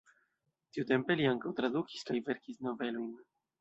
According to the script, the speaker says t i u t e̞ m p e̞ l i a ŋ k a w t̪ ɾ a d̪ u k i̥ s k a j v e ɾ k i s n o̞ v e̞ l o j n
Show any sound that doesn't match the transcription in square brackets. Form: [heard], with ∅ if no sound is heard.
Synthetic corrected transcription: t i u t e̞ m p e̞ l i a ŋ k a w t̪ ɾ a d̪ u k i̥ s k a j v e ɾ k i s n o̞ v e̞ l o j n